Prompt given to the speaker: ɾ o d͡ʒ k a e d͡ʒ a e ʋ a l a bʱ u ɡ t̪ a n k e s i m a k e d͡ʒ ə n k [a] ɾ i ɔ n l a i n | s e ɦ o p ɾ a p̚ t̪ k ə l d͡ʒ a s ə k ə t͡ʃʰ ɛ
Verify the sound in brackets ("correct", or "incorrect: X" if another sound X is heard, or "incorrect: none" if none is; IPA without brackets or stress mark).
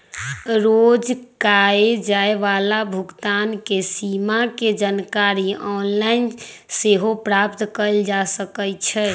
correct